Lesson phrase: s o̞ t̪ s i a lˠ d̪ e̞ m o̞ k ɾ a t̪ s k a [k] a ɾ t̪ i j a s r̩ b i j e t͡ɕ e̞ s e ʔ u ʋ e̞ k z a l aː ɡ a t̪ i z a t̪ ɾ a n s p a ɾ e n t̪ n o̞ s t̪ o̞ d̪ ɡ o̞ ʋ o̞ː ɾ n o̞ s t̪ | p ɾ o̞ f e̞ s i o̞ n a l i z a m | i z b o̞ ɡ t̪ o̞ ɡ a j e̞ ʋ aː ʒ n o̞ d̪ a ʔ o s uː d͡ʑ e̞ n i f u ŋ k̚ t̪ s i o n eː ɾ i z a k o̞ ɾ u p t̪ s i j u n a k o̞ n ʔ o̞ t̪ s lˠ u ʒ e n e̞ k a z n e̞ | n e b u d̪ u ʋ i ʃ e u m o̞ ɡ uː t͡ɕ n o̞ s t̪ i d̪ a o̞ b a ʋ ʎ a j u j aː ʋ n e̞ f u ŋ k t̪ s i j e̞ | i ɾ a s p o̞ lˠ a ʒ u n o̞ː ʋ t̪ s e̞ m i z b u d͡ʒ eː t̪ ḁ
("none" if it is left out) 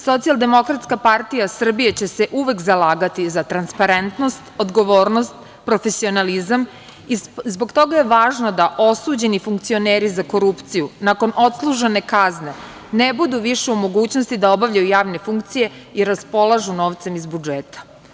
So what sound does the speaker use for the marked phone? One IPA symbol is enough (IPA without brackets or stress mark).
p